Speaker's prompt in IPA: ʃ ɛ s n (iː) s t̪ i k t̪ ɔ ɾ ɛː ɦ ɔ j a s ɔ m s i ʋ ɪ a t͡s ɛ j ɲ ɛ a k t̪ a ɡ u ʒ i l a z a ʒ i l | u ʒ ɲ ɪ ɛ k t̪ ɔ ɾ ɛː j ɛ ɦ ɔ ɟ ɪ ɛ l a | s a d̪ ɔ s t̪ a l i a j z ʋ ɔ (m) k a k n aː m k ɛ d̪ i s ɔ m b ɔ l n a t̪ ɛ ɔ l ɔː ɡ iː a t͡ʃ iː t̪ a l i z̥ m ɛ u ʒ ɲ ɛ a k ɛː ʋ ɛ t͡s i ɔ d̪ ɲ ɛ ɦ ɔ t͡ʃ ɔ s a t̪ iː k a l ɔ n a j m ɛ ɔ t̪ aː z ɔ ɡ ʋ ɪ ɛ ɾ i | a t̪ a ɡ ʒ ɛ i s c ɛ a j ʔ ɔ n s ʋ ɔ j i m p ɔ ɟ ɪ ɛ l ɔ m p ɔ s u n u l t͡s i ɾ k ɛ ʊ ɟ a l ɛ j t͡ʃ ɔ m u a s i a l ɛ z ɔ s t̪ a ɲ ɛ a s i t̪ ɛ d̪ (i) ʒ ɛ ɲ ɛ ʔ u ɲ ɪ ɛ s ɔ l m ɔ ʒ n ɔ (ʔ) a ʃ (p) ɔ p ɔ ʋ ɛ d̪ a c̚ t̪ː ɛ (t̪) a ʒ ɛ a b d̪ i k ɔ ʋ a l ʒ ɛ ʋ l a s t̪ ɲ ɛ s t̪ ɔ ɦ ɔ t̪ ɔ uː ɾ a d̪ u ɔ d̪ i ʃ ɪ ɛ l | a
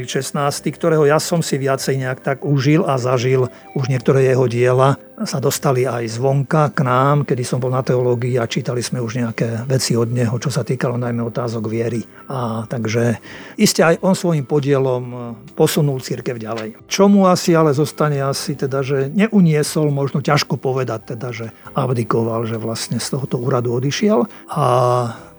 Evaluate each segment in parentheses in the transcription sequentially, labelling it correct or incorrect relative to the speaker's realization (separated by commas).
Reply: incorrect, incorrect, incorrect, incorrect, incorrect, incorrect